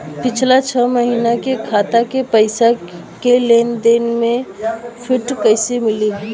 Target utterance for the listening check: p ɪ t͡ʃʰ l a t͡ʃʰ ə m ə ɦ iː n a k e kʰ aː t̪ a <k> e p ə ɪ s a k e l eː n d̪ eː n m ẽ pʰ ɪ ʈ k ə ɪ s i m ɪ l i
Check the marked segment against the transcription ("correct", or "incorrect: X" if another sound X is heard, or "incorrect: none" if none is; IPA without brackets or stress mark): correct